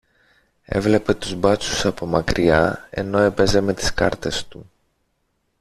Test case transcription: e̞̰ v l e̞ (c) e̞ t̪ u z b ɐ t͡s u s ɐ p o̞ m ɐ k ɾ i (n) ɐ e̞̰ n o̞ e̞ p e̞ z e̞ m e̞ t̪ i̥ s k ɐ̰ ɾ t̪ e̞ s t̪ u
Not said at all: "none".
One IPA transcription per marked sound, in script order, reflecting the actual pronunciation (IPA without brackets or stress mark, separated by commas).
p, none